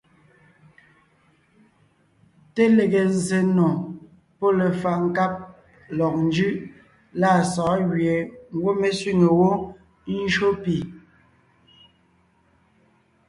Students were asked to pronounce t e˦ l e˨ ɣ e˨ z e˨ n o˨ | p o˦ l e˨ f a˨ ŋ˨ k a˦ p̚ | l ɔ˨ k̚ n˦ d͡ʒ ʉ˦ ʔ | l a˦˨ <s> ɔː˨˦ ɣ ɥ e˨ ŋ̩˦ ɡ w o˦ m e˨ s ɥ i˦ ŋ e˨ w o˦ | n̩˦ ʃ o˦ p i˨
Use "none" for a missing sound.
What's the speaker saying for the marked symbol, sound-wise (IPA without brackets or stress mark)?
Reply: s